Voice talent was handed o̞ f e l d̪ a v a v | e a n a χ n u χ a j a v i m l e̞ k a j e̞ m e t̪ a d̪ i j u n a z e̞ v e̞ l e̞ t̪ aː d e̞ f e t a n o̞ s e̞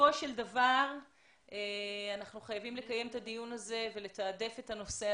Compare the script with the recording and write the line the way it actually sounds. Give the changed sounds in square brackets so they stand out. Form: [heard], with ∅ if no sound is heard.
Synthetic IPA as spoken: o̞ [ʃ] e l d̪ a v a [ʁ] | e a n a χ n u χ a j a v i m l e̞ k a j e̞ m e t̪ a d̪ i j u n a z e̞ v e̞ l e̞ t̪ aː d e̞ f e t a n o̞ s e̞